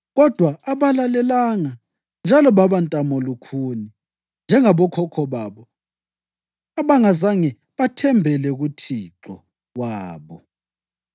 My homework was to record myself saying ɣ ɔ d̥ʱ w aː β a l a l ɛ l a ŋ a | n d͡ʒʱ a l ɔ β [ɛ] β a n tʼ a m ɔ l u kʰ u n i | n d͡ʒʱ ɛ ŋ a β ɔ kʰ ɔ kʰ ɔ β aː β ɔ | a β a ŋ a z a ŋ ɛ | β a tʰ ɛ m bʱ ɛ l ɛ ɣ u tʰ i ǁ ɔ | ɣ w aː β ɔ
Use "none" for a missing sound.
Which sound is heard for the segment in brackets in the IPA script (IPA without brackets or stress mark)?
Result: a